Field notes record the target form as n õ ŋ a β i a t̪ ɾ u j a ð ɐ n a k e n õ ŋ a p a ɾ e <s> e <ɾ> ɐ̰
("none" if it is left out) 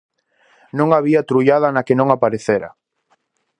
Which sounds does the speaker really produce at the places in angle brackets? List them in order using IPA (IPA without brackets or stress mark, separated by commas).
θ, ɾ